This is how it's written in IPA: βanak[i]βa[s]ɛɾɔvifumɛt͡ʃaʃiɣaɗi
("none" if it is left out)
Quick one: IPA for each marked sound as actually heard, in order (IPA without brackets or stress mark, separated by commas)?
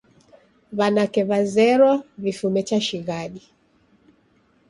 ɛ, z